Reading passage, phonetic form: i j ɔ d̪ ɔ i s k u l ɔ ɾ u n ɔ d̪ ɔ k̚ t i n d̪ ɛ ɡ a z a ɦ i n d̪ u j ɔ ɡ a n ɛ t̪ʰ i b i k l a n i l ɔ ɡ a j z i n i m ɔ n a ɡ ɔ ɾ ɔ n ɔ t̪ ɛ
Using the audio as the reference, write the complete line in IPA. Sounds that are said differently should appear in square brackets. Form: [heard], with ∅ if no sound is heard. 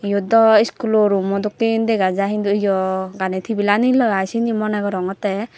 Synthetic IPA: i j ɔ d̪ ɔ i s k u l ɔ ɾ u [m] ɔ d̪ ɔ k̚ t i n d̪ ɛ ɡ a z a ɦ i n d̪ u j ɔ ɡ a n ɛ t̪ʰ i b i [∅] l a n i l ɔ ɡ a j [s] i n i m ɔ n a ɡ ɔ ɾ ɔ [ŋ] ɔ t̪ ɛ

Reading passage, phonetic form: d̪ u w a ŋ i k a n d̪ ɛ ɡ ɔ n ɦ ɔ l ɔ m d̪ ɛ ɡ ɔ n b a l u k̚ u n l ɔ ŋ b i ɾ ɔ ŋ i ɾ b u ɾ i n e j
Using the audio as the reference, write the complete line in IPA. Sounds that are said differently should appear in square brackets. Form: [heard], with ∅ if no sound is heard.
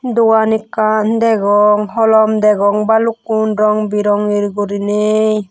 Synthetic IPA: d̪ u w a [n] i k a n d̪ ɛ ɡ ɔ [ŋ] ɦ ɔ l ɔ m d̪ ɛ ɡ ɔ [ŋ] b a l u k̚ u n [ɾ] ɔ ŋ b i ɾ ɔ ŋ i ɾ [ɡ] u ɾ i n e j

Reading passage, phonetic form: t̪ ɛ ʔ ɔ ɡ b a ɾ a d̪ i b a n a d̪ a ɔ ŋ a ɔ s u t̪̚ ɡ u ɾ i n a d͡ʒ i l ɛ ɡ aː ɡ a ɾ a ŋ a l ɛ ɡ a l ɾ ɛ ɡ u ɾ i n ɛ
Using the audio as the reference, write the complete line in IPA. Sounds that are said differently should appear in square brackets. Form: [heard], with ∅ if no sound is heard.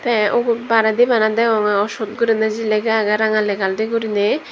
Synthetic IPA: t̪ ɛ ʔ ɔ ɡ b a ɾ a d̪ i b a n a d̪ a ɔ ŋ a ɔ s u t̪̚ ɡ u ɾ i n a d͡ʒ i l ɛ ɡ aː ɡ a ɾ a ŋ a l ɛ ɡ a l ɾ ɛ ɡ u ɾ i n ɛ

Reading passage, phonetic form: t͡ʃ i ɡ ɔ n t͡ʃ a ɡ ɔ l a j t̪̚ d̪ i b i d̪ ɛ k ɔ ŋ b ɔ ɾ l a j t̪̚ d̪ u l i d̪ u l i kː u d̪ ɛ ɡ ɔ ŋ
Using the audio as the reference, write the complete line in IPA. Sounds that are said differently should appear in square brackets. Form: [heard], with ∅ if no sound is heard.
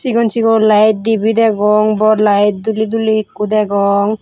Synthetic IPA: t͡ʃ i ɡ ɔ n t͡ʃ [i] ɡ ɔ l a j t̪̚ d̪ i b i d̪ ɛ [ɡ] ɔ ŋ b ɔ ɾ l a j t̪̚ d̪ u l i d̪ u l i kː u d̪ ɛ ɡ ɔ ŋ

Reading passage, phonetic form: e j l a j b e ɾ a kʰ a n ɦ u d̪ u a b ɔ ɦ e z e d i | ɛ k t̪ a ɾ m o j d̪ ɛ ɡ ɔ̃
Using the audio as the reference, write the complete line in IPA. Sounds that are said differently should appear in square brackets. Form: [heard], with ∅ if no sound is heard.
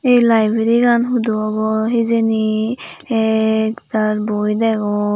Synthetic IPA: e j l a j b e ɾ [i] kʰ a n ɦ u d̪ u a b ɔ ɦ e z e [n] i | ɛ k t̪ a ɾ [b] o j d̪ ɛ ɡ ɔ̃

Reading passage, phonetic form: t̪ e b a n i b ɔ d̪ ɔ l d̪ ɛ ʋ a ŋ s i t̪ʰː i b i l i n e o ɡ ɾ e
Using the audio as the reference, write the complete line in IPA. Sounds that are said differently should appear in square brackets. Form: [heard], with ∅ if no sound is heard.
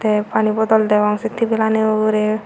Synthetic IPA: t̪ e [p] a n i b ɔ d̪ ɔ l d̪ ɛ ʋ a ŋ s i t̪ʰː i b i l [a] n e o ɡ ɾ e

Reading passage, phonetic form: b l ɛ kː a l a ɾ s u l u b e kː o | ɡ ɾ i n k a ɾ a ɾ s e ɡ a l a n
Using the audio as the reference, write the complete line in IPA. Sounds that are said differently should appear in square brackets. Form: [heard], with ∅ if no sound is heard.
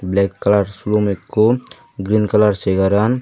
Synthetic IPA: b l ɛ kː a l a ɾ s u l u [m] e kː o | ɡ ɾ i n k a [l] a ɾ s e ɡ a [ɾ] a n

